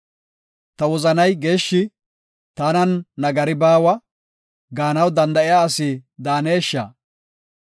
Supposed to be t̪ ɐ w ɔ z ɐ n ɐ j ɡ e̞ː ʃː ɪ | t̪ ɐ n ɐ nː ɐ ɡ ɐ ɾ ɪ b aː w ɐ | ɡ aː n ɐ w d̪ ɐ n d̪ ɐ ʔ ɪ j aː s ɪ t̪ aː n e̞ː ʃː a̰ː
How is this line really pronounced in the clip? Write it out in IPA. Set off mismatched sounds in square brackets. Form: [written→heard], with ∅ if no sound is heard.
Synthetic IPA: t̪ ɐ w ɔ z ɐ n ɐ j ɡ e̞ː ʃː ɪ | t̪ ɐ n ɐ nː ɐ ɡ ɐ ɾ ɪ b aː w ɐ | ɡ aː n ɐ w d̪ ɐ n d̪ ɐ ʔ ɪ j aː s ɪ [t̪→d̪] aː n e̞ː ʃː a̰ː